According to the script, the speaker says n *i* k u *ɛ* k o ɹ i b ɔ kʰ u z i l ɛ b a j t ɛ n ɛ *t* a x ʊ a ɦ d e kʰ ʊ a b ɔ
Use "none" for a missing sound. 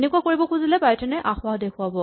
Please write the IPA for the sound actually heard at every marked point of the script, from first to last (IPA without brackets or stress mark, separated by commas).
e, a, ʔ